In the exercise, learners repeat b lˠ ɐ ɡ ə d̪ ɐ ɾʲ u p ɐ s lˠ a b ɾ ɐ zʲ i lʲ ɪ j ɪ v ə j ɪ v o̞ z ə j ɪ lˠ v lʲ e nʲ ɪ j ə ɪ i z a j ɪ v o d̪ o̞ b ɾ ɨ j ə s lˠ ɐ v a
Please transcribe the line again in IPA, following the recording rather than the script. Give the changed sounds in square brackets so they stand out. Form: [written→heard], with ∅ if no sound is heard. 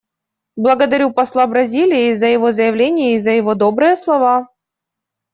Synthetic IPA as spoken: b lˠ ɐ ɡ ə d̪ ɐ ɾʲ u p ɐ s lˠ a b ɾ ɐ zʲ i lʲ ɪ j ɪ [v→z] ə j ɪ v o̞ z ə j ɪ [lˠ→∅] v lʲ e nʲ ɪ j ə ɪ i z [a→ə] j ɪ v o d̪ o̞ b ɾ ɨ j ə s lˠ ɐ v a

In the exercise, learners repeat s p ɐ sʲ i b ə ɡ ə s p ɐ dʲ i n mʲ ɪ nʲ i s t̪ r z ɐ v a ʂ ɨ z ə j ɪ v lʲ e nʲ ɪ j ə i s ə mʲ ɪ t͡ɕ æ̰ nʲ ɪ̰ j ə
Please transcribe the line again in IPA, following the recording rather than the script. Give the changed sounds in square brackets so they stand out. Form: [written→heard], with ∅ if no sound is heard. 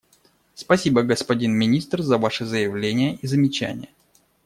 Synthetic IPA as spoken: s p ɐ sʲ i b ə ɡ ə s p ɐ dʲ i n mʲ ɪ nʲ i s t̪ r z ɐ v a ʂ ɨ z ə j ɪ v lʲ e nʲ ɪ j ə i [s→z] ə mʲ ɪ t͡ɕ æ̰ nʲ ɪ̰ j ə

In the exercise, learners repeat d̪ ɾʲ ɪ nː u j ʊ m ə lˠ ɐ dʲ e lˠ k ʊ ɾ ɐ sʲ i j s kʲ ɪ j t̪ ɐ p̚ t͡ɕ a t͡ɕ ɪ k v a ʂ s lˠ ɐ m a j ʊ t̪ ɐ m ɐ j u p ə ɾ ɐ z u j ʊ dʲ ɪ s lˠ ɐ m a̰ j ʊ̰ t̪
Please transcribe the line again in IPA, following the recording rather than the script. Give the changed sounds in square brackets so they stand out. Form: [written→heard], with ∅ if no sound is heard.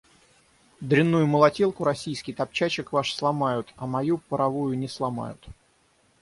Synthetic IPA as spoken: d̪ ɾʲ ɪ nː u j ʊ m ə lˠ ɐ [dʲ→tʲ] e lˠ k ʊ ɾ ɐ sʲ i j s kʲ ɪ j t̪ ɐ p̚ t͡ɕ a t͡ɕ ɪ k v a ʂ s lˠ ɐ m a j ʊ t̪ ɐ m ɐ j u p ə ɾ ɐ [z→v] u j ʊ [dʲ→nʲ] ɪ s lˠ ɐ m a̰ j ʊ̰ t̪

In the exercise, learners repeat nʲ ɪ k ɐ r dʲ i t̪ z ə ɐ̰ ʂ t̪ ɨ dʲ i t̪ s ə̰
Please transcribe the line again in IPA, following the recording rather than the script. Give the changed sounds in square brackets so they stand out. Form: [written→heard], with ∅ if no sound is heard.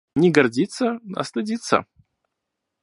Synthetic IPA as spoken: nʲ ɪ [k→ɡ] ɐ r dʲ i t̪ [z→s] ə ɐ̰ [ʂ→s] t̪ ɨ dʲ i t̪ s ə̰

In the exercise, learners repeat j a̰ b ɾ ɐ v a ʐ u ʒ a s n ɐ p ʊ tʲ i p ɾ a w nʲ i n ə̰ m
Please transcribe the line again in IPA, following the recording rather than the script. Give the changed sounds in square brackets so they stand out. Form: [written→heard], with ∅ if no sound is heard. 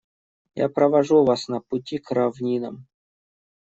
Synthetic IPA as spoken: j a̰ [b→p] ɾ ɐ v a ʐ u [ʒ→v] a s n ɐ p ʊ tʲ i [p→k] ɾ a [w→v] nʲ i n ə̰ m

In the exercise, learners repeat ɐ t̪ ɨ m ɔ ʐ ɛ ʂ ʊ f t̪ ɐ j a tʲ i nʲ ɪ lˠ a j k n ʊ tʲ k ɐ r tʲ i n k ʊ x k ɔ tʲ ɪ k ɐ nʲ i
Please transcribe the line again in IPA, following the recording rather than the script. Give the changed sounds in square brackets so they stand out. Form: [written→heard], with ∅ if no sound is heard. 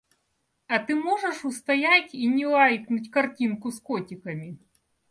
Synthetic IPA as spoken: ɐ t̪ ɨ m ɔ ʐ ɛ ʂ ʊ [f→s] t̪ ɐ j a tʲ i nʲ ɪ lˠ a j k n ʊ tʲ k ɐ r tʲ i n k ʊ [x→s] k ɔ tʲ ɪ k ɐ [nʲ→mʲ] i

